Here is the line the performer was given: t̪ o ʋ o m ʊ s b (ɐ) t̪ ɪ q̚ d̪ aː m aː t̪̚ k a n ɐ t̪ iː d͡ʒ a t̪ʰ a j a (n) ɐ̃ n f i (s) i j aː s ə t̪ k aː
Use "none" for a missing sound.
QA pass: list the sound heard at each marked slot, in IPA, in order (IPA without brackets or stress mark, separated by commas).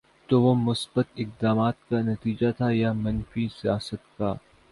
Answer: ə, m, s